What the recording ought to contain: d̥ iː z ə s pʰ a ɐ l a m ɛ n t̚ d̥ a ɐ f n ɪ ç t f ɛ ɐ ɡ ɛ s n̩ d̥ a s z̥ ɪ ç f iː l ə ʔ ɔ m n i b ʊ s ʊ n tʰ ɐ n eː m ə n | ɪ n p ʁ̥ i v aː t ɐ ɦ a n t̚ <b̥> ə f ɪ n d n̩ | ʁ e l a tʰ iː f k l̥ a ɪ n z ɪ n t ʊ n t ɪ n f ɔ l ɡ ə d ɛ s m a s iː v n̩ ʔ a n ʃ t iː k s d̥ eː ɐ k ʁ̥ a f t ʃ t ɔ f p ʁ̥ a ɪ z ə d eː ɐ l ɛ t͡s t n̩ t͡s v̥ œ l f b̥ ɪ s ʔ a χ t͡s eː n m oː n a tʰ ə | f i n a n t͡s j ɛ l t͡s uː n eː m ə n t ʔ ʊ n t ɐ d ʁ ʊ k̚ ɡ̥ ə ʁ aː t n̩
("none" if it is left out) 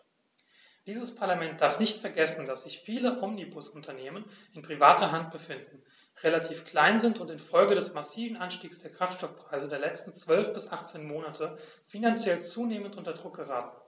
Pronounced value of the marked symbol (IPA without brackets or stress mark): b̥